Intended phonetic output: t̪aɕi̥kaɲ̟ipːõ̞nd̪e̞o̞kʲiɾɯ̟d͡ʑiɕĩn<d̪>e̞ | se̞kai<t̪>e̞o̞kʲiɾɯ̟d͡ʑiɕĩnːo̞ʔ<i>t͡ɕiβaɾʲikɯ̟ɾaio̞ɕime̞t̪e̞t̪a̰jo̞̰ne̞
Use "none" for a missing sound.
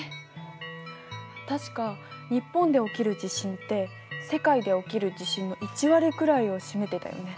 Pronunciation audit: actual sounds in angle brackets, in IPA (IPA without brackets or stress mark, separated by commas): t̪, d̪, i